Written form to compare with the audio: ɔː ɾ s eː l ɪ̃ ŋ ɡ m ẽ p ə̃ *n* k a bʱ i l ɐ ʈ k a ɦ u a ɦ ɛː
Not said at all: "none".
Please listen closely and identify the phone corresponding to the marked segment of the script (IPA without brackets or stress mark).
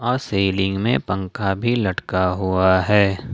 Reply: ŋ